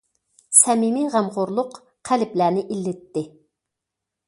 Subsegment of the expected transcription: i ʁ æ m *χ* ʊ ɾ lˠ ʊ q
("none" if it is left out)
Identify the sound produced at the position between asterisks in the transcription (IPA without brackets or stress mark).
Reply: ʁ